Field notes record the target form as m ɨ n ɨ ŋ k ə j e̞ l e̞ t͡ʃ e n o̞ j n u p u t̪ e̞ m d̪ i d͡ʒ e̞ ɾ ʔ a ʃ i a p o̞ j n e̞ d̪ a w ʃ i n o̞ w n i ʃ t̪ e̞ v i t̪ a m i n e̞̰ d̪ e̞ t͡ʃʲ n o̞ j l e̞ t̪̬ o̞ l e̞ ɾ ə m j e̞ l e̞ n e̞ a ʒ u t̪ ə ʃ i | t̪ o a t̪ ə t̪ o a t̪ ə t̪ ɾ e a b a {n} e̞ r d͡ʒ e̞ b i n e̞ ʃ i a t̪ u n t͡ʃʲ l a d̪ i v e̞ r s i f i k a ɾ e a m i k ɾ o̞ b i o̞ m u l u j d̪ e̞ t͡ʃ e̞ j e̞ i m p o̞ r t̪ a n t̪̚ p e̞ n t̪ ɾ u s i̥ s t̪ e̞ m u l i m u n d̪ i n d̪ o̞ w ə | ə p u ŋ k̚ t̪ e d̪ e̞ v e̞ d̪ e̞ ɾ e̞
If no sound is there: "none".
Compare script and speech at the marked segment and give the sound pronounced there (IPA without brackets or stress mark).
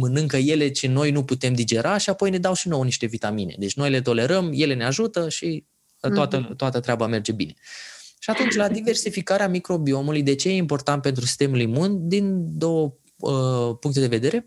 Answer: m